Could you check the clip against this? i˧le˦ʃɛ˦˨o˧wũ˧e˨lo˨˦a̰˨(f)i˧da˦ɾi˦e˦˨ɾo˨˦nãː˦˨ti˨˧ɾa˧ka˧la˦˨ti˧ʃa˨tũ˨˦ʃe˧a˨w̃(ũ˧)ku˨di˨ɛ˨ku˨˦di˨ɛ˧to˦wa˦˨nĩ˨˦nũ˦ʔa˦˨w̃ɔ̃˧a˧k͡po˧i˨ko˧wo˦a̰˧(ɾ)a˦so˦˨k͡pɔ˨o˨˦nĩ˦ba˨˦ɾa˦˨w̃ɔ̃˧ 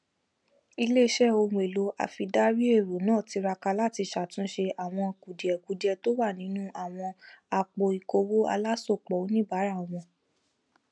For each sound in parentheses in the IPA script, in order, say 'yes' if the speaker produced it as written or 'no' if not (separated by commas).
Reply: yes, no, no